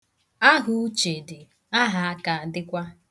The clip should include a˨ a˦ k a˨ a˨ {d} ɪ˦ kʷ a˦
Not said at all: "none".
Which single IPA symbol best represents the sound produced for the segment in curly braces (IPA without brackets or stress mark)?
d